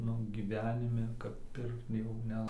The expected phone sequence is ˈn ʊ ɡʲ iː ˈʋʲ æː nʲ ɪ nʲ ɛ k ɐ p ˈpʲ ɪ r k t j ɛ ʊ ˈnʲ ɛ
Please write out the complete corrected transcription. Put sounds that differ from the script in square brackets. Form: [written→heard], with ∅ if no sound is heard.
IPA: ˈn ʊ ɡʲ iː ˈʋʲ æː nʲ ɪ [nʲ→mʲ] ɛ k ɐ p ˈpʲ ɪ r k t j ɛ ʊ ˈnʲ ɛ